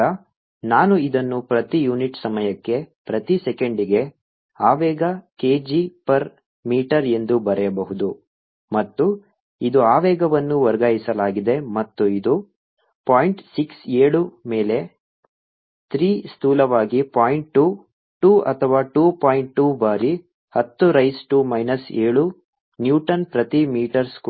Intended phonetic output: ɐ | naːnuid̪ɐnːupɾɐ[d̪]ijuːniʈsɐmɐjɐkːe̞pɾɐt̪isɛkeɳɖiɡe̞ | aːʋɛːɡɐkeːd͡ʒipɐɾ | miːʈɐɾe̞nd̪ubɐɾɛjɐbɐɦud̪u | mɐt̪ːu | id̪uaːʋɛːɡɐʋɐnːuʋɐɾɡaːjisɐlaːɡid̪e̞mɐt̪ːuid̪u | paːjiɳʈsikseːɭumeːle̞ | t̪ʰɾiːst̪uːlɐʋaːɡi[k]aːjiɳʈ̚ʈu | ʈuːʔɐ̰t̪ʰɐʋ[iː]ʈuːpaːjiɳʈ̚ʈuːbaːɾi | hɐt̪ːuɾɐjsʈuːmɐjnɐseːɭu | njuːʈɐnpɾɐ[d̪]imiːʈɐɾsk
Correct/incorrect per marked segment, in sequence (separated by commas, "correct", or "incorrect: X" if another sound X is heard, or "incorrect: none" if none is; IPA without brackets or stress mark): incorrect: t̪, incorrect: p, incorrect: aː, incorrect: t̪